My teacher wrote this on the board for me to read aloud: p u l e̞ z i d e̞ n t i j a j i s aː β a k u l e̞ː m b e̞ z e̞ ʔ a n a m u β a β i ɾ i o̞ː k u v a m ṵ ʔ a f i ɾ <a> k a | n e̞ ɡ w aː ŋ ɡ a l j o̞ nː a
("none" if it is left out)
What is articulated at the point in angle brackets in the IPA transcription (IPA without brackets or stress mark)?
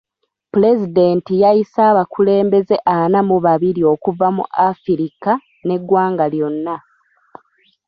i